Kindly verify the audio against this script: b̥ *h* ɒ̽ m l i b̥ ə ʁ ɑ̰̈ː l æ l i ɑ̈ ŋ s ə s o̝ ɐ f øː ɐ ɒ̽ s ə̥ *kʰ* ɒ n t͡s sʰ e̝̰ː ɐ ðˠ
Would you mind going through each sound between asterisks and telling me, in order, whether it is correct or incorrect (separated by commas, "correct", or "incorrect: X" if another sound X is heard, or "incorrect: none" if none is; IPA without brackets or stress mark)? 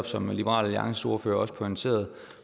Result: incorrect: s, incorrect: pʰ